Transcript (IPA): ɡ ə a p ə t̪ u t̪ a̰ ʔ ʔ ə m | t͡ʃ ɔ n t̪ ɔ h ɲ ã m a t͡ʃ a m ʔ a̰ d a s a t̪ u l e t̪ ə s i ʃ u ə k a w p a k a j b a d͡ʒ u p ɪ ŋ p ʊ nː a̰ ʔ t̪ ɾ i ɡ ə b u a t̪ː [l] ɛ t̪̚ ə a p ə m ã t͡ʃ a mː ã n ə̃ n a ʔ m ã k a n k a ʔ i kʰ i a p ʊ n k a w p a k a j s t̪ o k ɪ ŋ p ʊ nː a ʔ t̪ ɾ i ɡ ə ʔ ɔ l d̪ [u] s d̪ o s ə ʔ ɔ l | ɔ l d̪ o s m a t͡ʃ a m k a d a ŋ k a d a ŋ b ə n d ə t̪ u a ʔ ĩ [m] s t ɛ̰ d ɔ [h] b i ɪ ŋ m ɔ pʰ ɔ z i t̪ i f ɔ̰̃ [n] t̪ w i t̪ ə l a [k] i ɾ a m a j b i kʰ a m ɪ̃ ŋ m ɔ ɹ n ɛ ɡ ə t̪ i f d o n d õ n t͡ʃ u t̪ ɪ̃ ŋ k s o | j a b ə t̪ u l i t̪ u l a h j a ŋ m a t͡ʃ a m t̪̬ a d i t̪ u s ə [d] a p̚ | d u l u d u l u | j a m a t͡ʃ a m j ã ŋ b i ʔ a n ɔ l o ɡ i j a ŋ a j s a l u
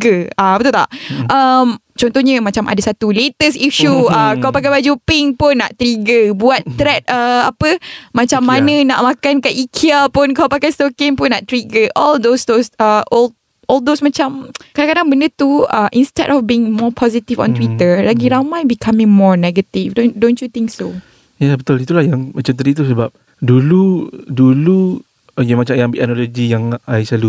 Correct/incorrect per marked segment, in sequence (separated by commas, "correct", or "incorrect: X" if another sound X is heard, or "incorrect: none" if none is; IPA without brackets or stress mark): incorrect: ɾ, incorrect: o, incorrect: n, incorrect: f, correct, incorrect: ɡ, incorrect: b